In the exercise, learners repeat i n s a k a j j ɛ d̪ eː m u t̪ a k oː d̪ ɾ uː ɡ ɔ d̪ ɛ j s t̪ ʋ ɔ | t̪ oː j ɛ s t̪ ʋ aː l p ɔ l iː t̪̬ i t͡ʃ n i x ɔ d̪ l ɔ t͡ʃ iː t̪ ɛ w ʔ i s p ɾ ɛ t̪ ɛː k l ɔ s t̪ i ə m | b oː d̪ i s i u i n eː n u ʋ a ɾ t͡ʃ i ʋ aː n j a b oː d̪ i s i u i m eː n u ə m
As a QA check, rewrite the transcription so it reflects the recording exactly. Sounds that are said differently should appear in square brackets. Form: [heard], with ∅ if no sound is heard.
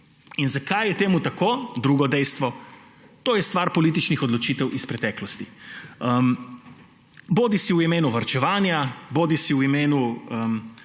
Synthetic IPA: i n [z] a k a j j ɛ [t̪] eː m u t̪ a k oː d̪ ɾ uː ɡ ɔ d̪ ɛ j s t̪ ʋ ɔ | t̪ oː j ɛ s t̪ ʋ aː [ɾ] p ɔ l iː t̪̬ i t͡ʃ n i x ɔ d̪ l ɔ t͡ʃ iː t̪ ɛ w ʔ i s p ɾ ɛ t̪ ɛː k l ɔ s t̪ i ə m | b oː d̪ i s i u i [m] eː n u ʋ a ɾ t͡ʃ [ɛ] ʋ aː n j a b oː d̪ i s i u i m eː n u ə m